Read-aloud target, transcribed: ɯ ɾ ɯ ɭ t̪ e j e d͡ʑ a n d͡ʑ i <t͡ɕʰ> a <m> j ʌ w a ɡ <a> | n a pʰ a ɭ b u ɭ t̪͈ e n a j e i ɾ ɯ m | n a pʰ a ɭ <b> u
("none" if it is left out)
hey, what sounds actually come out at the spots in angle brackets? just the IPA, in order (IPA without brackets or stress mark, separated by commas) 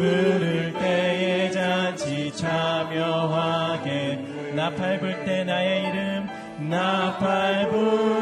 t͡ɕʰ, m, e, b